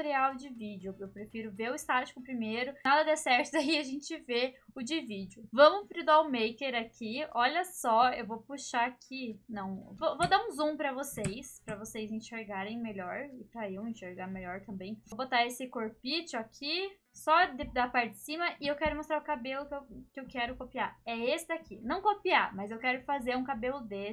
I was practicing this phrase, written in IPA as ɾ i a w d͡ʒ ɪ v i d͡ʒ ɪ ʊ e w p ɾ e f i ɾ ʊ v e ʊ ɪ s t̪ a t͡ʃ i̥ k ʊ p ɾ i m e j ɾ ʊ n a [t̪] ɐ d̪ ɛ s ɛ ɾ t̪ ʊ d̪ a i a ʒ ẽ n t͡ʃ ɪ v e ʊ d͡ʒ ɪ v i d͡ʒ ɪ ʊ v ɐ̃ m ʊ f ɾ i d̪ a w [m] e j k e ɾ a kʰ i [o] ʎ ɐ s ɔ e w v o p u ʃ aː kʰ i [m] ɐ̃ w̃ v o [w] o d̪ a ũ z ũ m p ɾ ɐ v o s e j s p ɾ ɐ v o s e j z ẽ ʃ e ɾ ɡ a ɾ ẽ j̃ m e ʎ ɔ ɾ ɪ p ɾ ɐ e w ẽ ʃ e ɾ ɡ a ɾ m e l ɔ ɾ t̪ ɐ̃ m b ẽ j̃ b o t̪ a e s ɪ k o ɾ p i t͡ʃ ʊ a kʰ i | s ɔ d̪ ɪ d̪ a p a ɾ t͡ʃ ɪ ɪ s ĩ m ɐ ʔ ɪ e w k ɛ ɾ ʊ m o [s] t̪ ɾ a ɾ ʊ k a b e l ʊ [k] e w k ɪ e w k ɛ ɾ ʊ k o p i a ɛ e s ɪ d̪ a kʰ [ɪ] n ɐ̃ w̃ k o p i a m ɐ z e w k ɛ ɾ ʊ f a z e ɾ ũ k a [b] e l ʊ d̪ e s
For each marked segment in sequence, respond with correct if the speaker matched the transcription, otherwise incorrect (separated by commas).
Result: incorrect, correct, incorrect, incorrect, incorrect, correct, correct, incorrect, correct